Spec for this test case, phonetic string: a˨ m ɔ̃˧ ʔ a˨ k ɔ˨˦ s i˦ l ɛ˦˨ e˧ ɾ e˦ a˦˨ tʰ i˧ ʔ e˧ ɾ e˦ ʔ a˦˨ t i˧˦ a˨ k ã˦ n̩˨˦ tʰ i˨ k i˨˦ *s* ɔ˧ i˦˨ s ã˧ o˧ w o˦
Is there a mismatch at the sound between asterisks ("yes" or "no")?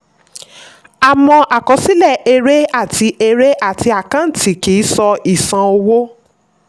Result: no